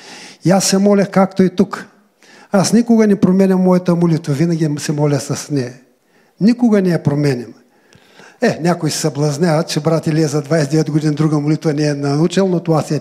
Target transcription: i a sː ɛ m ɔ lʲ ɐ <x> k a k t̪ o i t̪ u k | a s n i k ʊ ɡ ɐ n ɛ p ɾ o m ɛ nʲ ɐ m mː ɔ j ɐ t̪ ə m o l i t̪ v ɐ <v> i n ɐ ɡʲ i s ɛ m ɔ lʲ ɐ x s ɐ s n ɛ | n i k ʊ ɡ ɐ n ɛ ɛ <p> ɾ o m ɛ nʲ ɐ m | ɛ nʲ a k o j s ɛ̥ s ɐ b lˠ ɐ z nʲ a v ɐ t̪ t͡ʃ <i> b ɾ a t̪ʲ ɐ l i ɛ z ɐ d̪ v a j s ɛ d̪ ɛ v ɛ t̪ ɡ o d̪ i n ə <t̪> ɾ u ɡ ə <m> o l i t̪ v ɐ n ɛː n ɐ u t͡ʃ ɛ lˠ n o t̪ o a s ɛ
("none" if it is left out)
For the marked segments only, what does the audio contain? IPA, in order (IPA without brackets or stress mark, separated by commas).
x, v, p, ɛ, d̪, m